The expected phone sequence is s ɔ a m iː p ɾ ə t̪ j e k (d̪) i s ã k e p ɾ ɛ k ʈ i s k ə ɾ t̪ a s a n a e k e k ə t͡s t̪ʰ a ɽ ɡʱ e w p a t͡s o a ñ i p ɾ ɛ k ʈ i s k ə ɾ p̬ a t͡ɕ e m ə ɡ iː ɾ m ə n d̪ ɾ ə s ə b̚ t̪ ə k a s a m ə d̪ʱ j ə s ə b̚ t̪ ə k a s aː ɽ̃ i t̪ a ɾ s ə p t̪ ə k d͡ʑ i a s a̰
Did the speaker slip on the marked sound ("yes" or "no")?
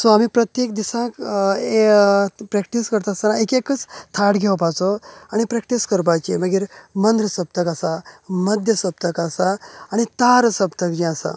no